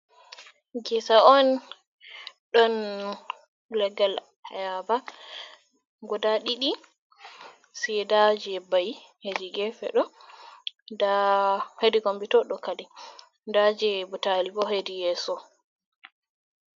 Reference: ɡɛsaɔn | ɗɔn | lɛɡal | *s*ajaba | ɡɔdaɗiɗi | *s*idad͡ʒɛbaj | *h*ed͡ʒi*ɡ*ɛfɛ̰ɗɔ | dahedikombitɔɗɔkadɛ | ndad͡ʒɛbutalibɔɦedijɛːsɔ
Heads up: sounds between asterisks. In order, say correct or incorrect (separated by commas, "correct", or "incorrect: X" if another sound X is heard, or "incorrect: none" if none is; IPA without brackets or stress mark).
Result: incorrect: h, correct, correct, correct